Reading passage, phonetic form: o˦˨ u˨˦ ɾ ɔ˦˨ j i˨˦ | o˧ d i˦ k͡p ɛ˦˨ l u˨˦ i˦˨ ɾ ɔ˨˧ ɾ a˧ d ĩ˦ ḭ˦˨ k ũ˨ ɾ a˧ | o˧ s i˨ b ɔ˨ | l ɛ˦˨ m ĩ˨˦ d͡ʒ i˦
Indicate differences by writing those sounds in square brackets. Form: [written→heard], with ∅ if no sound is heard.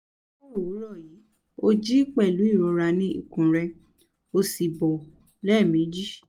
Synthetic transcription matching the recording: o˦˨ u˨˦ ɾ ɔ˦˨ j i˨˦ | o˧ [d→d͡ʒ] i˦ k͡p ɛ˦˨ l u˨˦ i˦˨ ɾ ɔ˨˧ ɾ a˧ [d→n] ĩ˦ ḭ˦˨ k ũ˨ ɾ [a˧→ɛ˧] | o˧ s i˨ b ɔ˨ | l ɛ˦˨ m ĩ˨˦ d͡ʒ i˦

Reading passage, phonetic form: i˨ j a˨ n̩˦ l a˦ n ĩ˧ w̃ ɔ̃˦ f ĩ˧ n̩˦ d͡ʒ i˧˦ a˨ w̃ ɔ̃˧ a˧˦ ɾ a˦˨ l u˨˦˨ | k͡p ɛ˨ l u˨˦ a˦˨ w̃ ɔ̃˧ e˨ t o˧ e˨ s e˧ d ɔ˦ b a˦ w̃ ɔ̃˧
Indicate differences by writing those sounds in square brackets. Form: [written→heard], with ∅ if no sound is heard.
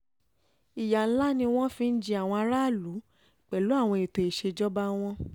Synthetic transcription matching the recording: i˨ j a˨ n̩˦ l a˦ n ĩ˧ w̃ ɔ̃˦ f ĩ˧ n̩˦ d͡ʒ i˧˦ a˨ w̃ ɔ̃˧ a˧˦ ɾ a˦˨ l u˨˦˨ | k͡p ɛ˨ l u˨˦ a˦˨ w̃ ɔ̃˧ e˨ t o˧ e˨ [s→ʃ] e˧ [d→d͡ʒ] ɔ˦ b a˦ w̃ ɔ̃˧

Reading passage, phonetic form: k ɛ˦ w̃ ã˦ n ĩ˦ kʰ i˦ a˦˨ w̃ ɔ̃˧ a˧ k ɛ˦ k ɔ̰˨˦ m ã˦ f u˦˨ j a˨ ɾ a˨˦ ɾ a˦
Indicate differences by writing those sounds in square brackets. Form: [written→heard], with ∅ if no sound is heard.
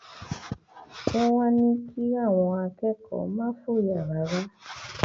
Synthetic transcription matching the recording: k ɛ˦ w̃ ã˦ n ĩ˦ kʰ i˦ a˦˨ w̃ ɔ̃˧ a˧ k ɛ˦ k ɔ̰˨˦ m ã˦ f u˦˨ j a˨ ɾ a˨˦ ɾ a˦

